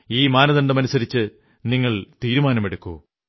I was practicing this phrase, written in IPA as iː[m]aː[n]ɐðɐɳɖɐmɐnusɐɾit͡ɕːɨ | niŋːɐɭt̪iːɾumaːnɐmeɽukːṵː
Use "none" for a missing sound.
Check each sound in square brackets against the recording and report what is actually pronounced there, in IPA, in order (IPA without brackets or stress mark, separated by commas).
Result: m, n